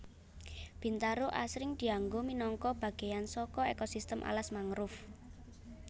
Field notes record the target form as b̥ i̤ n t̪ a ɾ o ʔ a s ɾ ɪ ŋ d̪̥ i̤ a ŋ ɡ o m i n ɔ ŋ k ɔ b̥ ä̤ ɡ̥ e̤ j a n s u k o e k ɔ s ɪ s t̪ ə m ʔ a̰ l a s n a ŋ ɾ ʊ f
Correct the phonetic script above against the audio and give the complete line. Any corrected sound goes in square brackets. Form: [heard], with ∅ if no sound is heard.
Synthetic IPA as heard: b̥ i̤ n t̪ a ɾ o ʔ a s ɾ ɪ ŋ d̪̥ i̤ a ŋ ɡ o m i n ɔ ŋ k ɔ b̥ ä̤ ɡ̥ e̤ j a n s [ɔ] k [ɔ] e k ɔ s [i] s t̪ ə m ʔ a̰ l a s [m] a ŋ ɾ ʊ f